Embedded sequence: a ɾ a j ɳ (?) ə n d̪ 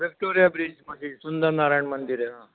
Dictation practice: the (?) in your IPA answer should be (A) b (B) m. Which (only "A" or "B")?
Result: B